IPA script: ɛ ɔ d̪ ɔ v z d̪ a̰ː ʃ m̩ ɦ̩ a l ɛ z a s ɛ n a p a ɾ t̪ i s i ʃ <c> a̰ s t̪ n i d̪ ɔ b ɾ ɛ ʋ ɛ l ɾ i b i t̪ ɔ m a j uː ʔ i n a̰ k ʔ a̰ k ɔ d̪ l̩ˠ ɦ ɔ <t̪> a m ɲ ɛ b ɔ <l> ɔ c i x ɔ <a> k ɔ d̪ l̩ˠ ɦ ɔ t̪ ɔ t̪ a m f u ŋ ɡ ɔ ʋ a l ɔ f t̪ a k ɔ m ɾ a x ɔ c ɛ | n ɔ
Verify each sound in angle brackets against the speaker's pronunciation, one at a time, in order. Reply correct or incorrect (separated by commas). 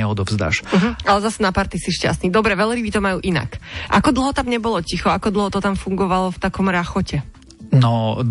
correct, correct, correct, correct